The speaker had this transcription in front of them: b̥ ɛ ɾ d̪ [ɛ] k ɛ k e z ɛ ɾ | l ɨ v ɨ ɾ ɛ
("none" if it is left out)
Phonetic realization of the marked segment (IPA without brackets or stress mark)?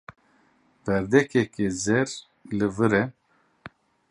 ɛ